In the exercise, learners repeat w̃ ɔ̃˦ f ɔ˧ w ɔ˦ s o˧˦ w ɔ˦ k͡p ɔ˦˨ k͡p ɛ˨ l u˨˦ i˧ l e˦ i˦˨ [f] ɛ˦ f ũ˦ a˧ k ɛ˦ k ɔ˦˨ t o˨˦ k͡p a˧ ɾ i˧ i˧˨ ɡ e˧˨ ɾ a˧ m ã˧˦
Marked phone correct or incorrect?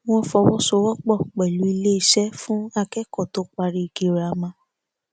incorrect